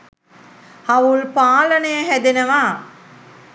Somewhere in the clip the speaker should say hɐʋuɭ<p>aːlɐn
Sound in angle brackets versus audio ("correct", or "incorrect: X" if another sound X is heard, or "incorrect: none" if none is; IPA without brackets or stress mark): correct